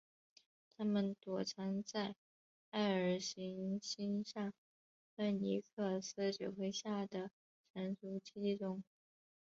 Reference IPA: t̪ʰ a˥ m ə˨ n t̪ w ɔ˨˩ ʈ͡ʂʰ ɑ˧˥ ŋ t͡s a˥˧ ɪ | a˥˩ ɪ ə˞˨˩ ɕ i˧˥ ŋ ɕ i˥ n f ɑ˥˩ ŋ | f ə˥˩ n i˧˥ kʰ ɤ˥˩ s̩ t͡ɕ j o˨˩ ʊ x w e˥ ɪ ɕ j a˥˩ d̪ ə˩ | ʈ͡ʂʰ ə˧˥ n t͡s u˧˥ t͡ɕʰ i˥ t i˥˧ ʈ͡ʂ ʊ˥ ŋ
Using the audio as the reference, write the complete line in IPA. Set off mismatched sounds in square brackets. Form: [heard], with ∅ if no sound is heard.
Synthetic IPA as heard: t̪ʰ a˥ m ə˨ n t̪ w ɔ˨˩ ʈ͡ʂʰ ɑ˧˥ ŋ t͡s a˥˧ ɪ | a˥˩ ɪ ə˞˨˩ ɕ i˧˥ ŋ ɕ i˥ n [ʂ] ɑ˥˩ ŋ | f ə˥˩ n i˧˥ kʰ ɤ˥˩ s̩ t͡ɕ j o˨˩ ʊ x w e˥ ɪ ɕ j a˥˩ d̪ ə˩ | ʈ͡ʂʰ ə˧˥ n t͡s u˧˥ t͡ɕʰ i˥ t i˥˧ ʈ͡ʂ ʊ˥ ŋ

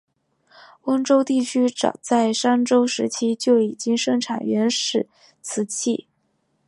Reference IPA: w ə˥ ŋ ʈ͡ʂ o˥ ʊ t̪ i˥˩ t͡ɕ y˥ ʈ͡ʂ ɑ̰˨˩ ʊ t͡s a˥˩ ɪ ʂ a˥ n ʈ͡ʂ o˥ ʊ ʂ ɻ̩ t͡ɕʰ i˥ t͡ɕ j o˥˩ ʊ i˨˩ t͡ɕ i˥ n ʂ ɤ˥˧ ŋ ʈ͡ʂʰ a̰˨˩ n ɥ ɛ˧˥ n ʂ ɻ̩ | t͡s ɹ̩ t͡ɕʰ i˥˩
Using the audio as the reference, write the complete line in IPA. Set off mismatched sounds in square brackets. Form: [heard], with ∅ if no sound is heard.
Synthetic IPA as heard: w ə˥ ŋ ʈ͡ʂ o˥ ʊ t̪ i˥˩ [t͡ɕʰ] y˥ ʈ͡ʂ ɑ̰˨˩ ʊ t͡s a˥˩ ɪ ʂ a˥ n ʈ͡ʂ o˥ ʊ ʂ ɻ̩ t͡ɕʰ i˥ t͡ɕ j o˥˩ ʊ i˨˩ t͡ɕ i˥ [ŋ] ʂ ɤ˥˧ ŋ ʈ͡ʂʰ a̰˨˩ n ɥ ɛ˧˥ n ʂ ɻ̩ | [t͡sʰ] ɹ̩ t͡ɕʰ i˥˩

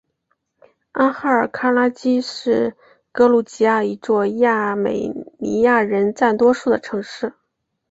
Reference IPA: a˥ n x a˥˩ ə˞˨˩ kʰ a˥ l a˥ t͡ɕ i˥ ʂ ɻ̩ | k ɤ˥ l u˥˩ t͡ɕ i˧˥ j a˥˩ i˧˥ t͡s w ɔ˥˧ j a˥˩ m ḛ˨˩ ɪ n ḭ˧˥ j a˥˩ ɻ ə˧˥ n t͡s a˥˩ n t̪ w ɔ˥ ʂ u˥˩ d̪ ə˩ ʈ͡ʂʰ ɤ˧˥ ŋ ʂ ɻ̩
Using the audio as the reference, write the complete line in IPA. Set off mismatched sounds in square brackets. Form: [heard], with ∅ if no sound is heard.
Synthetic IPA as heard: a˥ n x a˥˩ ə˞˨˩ kʰ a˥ l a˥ t͡ɕ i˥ ʂ ɻ̩ | k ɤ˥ l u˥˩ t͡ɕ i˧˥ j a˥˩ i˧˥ t͡s w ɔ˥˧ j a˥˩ m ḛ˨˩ ɪ n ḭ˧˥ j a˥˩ ɻ ə˧˥ n t͡s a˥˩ n t̪ w ɔ˥ ʂ u˥˩ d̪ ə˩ ʈ͡ʂʰ ɤ˧˥ ŋ ʂ ɻ̩

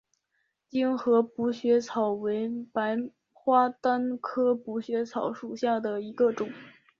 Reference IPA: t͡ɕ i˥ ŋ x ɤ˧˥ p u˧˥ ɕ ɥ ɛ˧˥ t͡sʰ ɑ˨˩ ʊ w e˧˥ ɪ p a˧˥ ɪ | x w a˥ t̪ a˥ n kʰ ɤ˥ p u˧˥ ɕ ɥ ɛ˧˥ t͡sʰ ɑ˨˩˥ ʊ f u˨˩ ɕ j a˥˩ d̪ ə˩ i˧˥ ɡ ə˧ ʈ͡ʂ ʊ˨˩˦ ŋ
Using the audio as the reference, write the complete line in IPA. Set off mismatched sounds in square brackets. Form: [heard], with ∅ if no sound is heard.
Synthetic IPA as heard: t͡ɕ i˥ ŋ x ɤ˧˥ p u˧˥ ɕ ɥ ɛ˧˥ t͡sʰ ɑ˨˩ ʊ w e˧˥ ɪ p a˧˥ ɪ | x w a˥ t̪ a˥ n kʰ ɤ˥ p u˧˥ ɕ ɥ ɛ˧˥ t͡sʰ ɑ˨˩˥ ʊ [ʂ] u˨˩ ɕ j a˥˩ d̪ ə˩ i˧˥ ɡ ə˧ ʈ͡ʂ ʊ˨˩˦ ŋ

